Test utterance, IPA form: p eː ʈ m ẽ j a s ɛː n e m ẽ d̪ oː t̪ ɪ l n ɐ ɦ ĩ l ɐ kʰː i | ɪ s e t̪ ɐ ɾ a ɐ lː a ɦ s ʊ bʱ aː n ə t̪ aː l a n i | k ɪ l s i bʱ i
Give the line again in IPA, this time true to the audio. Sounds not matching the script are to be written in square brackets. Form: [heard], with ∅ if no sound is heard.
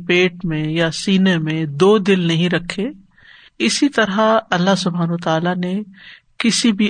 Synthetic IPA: p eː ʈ m ẽ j a s [iː] n e m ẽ d̪ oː [d̪] ɪ l n ɐ ɦ ĩ [ɾ] ɐ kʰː [e] | ɪ s [i] t̪ ɐ ɾ a ɐ lː a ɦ s ʊ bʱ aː n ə t̪ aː l a n [e] | k ɪ [∅] s i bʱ i